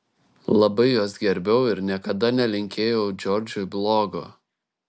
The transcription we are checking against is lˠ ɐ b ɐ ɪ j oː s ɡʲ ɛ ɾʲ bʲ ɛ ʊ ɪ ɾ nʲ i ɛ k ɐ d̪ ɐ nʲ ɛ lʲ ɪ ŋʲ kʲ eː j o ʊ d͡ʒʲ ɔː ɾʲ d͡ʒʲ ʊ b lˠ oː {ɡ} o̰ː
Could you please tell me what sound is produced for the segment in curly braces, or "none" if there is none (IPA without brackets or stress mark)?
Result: ɡ